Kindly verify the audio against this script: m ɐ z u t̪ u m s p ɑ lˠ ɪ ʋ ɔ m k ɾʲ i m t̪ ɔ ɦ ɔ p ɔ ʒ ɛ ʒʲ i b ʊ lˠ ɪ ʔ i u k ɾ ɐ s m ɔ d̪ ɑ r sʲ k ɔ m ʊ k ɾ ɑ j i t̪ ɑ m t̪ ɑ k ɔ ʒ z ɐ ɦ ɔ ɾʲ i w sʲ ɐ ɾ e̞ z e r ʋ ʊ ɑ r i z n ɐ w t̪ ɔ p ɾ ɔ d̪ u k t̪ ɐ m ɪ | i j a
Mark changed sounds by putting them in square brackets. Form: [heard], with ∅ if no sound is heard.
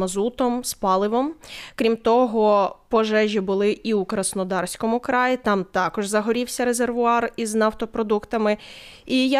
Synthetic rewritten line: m ɐ z u t̪ [ɔ] m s p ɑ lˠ ɪ ʋ ɔ m k ɾʲ i m t̪ ɔ ɦ ɔ p ɔ ʒ ɛ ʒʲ i b ʊ lˠ ɪ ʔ i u k ɾ ɐ s [n] ɔ d̪ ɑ r sʲ k ɔ m ʊ k ɾ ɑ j i t̪ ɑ m t̪ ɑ k ɔ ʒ z ɐ ɦ ɔ ɾʲ i w sʲ ɐ ɾ e̞ z e r ʋ ʊ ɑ r i z n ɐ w t̪ ɔ p ɾ ɔ d̪ u k t̪ ɐ m ɪ | i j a